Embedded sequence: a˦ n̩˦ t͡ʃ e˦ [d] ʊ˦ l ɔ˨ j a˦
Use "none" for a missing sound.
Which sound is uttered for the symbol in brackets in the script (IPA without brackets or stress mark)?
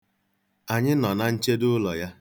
d